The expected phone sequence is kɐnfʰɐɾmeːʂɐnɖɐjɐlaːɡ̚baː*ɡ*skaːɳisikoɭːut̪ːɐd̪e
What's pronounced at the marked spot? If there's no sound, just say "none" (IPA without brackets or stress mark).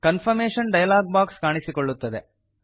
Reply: k